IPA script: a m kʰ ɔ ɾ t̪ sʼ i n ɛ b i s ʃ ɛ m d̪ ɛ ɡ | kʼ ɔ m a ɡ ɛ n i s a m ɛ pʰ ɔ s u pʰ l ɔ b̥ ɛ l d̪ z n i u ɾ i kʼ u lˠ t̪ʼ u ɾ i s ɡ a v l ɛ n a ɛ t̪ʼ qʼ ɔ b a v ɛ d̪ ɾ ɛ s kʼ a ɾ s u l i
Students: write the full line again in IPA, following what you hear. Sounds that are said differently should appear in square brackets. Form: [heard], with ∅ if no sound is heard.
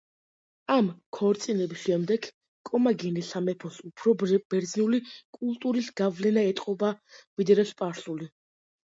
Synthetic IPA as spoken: a m kʰ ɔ ɾ t̪ sʼ i n ɛ b i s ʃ ɛ m d̪ ɛ ɡ | kʼ ɔ m a ɡ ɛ n i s a m ɛ pʰ ɔ s u pʰ [ɾ] ɔ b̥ ɛ [ɾ] d̪ z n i u [l] i kʼ u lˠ t̪ʼ u ɾ i s ɡ a v l ɛ n a ɛ t̪ʼ qʼ ɔ b a v [i] d̪ ɾ ɛ s [pʼ] a ɾ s u l i